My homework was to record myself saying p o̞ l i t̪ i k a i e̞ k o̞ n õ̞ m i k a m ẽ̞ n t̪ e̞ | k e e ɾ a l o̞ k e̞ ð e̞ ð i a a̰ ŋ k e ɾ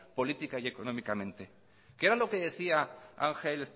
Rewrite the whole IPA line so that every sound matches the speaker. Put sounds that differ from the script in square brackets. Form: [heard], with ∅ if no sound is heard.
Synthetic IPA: p o̞ l i t̪ i k a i e̞ k o̞ n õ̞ m i k a m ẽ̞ n t̪ e̞ | k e e ɾ a l o̞ k e̞ ð e̞ [θ] i a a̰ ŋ [x] e [l]